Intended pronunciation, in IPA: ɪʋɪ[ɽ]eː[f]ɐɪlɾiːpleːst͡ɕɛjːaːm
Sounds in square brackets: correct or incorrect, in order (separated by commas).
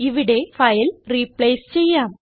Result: correct, correct